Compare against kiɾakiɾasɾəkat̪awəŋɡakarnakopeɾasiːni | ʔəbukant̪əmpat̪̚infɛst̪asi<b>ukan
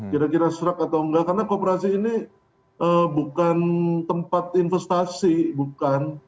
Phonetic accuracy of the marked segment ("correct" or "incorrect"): correct